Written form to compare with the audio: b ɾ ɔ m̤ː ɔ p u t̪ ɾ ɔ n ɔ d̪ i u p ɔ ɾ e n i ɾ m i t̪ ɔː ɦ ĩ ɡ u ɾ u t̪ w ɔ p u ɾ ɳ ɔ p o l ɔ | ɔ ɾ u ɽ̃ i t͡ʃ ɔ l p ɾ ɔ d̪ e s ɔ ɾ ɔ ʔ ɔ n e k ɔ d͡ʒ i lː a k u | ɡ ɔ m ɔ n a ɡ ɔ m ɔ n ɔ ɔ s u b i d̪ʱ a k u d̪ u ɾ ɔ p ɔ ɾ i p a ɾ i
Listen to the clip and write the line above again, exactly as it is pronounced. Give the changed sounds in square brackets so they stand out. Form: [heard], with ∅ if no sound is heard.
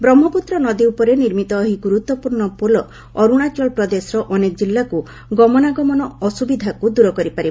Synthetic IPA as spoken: b ɾ ɔ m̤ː ɔ p u t̪ ɾ ɔ n ɔ d̪ i u p ɔ ɾ e n i ɾ m i t̪ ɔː ɦ [i] ɡ u ɾ u t̪ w ɔ p u ɾ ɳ ɔ p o l ɔ | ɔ ɾ u ɽ̃ [a] t͡ʃ ɔ l p ɾ ɔ d̪ e s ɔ ɾ ɔ ʔ ɔ n e k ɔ d͡ʒ i lː a k u | ɡ ɔ m ɔ n a ɡ ɔ m ɔ n ɔ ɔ s u b i d̪ʱ a k u d̪ u ɾ ɔ [k] ɔ ɾ i p a ɾ i

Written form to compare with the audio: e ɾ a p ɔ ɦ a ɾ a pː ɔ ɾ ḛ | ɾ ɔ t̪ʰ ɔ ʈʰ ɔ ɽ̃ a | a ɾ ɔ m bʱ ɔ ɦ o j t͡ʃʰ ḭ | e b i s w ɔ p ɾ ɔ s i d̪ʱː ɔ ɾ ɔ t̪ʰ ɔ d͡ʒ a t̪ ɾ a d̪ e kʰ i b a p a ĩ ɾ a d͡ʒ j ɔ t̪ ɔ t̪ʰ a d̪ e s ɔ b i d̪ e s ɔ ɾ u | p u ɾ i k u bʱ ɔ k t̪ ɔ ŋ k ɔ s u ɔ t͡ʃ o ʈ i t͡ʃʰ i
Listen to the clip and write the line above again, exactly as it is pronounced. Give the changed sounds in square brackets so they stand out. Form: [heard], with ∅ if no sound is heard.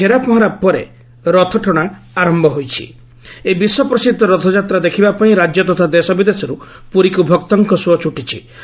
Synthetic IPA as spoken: e ɾ a p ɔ ɦ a ɾ a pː ɔ ɾ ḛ | ɾ ɔ t̪ʰ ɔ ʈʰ ɔ ɽ̃ a | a ɾ ɔ m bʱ ɔ ɦ o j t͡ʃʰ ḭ | e b i s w ɔ p ɾ ɔ s i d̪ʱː ɔ ɾ ɔ t̪ʰ ɔ d͡ʒ a t̪ ɾ a d̪ e kʰ i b a p a ĩ ɾ a d͡ʒ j ɔ t̪ ɔ t̪ʰ a d̪ e s ɔ b i d̪ e s ɔ ɾ u | p u ɾ i k u bʱ ɔ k t̪ ɔ ŋ k ɔ s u ɔ t͡ʃ [u] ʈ i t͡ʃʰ i

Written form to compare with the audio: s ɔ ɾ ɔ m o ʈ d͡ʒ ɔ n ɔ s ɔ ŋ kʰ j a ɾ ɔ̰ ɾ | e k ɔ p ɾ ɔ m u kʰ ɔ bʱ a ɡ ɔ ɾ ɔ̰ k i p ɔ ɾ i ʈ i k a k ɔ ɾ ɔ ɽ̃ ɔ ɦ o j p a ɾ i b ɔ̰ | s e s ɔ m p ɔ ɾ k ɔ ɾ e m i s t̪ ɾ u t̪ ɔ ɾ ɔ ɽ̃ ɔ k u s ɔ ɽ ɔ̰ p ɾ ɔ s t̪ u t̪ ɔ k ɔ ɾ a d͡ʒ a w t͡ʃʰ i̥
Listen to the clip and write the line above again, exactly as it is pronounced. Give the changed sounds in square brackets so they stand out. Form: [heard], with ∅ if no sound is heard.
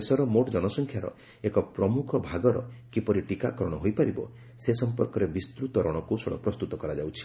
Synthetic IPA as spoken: s ɔ ɾ ɔ m o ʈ d͡ʒ ɔ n ɔ s ɔ ŋ kʰ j a ɾ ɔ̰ [∅] | e k ɔ p ɾ ɔ m u kʰ ɔ bʱ a ɡ ɔ ɾ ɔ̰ k i p ɔ ɾ i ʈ i k a k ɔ ɾ ɔ ɽ̃ ɔ ɦ o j p a ɾ i b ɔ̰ | s e s ɔ m p ɔ ɾ k ɔ ɾ e [b] i s t̪ ɾ u t̪ ɔ ɾ ɔ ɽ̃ ɔ k u s ɔ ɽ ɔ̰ p ɾ ɔ s t̪ u t̪ ɔ k ɔ ɾ a d͡ʒ a w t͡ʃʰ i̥

